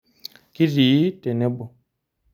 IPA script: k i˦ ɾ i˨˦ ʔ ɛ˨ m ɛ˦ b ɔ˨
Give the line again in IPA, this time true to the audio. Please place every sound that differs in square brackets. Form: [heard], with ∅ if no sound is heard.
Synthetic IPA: k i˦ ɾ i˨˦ [t] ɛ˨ [n] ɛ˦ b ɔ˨